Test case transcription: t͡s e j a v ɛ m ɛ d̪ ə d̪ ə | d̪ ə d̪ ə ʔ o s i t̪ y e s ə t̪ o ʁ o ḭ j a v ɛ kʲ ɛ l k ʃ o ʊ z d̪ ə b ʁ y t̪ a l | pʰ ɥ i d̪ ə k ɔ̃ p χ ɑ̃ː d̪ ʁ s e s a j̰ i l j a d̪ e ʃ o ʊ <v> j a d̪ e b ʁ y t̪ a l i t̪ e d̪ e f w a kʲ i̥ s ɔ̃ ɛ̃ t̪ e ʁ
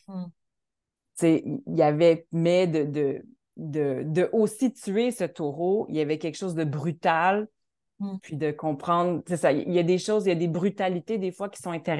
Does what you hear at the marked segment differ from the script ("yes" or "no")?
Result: yes